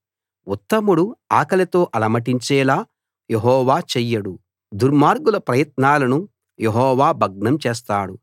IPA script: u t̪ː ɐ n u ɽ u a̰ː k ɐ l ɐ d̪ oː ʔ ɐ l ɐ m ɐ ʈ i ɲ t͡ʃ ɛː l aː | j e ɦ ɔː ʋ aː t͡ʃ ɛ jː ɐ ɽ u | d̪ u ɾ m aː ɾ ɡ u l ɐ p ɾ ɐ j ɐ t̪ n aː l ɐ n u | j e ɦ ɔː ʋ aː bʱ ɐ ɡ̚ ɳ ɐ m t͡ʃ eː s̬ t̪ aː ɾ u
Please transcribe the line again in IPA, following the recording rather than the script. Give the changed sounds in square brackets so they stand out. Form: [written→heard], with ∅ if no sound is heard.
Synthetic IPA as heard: u t̪ː ɐ [n→m] u ɽ u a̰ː k ɐ l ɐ [d̪→t̪] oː ʔ ɐ l ɐ m ɐ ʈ i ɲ t͡ʃ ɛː l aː | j e ɦ ɔː ʋ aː t͡ʃ ɛ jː ɐ ɽ u | d̪ u ɾ m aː ɾ ɡ u l ɐ p ɾ ɐ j ɐ t̪ n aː l ɐ n u | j e ɦ ɔː ʋ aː bʱ ɐ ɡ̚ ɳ ɐ m t͡ʃ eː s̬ t̪ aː [ɾ→ɽ] u